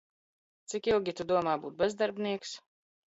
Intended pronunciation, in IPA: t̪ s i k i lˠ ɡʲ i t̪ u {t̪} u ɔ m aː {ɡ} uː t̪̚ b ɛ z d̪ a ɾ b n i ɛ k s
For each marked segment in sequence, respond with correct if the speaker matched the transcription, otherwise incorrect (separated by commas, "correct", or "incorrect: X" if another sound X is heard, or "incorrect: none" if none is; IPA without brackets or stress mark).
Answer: incorrect: d̪, incorrect: b